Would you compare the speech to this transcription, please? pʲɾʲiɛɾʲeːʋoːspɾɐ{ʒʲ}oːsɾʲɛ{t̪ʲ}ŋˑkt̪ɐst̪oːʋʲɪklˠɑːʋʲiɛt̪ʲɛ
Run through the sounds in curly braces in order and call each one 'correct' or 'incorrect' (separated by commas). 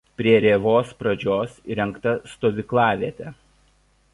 incorrect, incorrect